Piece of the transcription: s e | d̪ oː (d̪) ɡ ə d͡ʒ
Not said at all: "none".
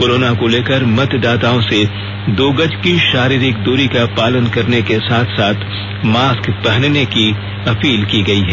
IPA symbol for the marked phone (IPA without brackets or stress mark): none